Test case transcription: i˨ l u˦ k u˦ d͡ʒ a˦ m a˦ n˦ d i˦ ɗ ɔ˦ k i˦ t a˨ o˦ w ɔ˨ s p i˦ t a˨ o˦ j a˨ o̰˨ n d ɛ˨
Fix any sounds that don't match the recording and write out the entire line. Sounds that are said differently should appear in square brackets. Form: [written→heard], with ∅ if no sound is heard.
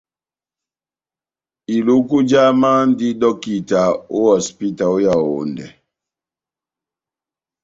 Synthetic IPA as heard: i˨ l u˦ k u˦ d͡ʒ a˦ m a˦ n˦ d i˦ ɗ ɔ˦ k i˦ t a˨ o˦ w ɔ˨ s p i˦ t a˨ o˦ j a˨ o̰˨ n d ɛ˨